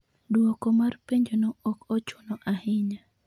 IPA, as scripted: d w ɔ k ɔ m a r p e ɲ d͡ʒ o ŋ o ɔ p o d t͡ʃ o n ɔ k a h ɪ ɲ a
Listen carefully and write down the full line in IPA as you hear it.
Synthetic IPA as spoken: d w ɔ k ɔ m a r p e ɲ d͡ʒ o n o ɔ k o t͡ʃ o n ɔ ʔ a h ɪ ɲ a

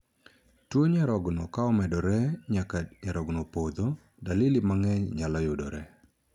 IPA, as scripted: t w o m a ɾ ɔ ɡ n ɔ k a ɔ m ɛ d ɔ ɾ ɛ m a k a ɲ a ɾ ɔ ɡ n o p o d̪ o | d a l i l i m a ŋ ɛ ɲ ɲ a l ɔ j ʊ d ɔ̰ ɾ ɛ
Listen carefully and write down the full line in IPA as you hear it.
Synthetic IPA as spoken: t w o ɲ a ɾ ɔ ɡ n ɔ k a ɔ m ɛ d ɔ ɾ ɛ ɲ a k a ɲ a ɾ ɔ ɡ n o p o d̪ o | d a l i l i m a ŋ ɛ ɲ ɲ a l ɔ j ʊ d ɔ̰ ɾ ɛ

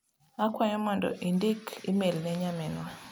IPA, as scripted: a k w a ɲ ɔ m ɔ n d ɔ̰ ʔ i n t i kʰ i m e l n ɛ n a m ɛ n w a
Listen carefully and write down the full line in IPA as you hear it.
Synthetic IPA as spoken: a k w a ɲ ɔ m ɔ n d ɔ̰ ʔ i n d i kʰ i m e l n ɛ ɲ a m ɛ n w a

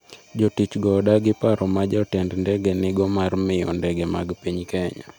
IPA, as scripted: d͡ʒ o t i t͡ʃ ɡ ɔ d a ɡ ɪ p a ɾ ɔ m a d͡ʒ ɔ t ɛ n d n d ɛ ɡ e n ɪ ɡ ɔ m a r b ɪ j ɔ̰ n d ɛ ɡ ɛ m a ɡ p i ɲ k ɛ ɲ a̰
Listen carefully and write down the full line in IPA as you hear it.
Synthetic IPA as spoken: d͡ʒ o t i t͡ʃ ɡ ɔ d a ɡ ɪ p a ɾ ɔ m a d͡ʒ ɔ t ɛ n d n d ɛ ɡ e n ɪ ɡ ɔ m a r m ɪ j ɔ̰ n d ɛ ɡ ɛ m a ɡ p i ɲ k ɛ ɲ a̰

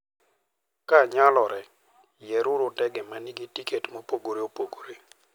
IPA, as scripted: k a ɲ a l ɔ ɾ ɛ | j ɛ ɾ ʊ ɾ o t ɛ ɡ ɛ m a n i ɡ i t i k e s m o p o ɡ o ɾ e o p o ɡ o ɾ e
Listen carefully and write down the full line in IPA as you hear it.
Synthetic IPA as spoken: k a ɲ a l ɔ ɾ ɛ | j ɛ ɾ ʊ ɾ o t ɛ ɡ ɛ m a n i ɡ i t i k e t m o p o ɡ o ɾ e o p o ɡ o ɾ e

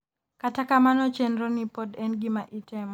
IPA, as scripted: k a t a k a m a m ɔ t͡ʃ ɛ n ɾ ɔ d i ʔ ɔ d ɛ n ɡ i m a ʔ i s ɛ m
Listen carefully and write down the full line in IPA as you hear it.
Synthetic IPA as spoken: k a t a k a m a n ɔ t͡ʃ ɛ n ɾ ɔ n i p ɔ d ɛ n ɡ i m a ʔ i t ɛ m

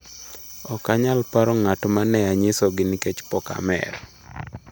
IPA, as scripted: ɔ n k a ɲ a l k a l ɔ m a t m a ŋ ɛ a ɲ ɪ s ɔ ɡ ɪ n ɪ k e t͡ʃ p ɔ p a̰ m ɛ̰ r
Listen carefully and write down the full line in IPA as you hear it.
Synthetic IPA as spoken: ɔ k a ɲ a l p a ɾ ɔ ŋ a t m a n ɛ a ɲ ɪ s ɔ ɡ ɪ n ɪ k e t͡ʃ p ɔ k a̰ m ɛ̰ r

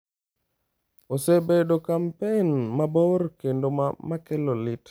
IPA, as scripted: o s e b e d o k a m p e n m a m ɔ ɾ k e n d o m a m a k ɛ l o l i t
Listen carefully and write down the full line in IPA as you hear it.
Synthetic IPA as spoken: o s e b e d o k a m p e n m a b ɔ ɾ k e n d o m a m a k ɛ l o l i t

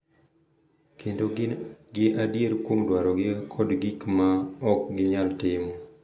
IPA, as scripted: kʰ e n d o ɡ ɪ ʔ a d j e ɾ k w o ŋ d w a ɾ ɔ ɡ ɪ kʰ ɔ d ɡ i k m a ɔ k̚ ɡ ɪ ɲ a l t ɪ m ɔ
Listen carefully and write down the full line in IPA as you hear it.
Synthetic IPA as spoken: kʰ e n d o ɡ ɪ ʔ a d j e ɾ k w o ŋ d w a ɾ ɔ ɡ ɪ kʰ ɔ d ɡ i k m a ɔ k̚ ɡ ɪ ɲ a l t ɪ m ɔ

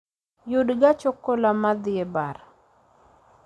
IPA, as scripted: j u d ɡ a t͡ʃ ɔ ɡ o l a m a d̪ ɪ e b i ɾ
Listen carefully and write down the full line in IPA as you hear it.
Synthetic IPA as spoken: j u d ɡ a t͡ʃ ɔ k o l a m a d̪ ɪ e b a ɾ

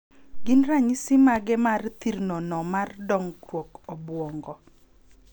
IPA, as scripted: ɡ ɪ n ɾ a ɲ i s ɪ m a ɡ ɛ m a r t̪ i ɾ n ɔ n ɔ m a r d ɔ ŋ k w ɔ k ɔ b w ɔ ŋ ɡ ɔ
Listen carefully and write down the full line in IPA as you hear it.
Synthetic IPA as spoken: ɡ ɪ n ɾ a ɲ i s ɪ m a ɡ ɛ m a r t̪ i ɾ n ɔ n ɔ m a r d ɔ ŋ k w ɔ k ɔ b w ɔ ŋ ɡ ɔ

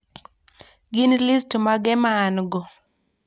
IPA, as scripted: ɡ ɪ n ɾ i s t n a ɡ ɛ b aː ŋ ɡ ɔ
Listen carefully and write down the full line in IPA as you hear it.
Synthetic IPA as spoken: ɡ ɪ n l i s t m a ɡ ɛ m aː n ɡ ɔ

